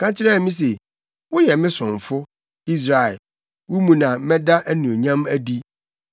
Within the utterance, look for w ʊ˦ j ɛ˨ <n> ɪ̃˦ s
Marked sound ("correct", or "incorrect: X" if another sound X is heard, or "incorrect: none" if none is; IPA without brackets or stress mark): incorrect: m